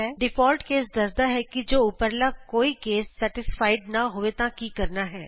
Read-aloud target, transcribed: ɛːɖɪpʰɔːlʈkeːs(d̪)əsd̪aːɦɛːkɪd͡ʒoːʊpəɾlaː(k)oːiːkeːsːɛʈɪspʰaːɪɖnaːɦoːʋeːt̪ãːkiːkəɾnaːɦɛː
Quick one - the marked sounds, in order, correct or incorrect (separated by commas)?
correct, correct